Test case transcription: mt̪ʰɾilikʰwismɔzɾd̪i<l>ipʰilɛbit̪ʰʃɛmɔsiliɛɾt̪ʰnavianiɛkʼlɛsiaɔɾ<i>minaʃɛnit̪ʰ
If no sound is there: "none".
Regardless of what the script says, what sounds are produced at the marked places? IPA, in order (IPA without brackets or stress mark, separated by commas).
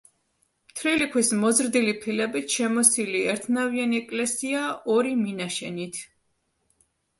l, i